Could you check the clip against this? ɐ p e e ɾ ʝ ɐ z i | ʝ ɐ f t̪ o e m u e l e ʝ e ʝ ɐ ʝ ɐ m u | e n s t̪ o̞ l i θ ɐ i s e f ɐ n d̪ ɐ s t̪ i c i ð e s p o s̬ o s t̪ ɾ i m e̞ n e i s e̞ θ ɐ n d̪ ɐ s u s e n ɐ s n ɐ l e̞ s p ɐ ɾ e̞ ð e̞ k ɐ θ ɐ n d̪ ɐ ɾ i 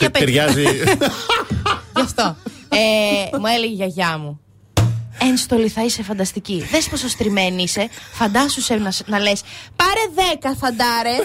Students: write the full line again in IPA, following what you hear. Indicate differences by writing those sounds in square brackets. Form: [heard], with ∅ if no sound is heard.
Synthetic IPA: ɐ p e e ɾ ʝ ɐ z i | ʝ ɐ f t̪ o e m u e l e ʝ e ʝ ɐ ʝ ɐ m u | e n s t̪ o̞ l i θ ɐ i s e f ɐ n d̪ ɐ s t̪ i c i ð e s p o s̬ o s t̪ ɾ i m e̞ n [i] i s e̞ [f] ɐ n d̪ ɐ s u s e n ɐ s n ɐ l e̞ s p ɐ ɾ e̞ ð e̞ k ɐ θ ɐ n d̪ ɐ ɾ [e]